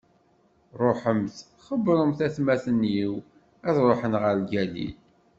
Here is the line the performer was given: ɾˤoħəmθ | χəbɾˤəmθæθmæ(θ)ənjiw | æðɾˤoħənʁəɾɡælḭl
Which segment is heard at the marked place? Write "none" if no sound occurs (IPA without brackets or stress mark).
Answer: θ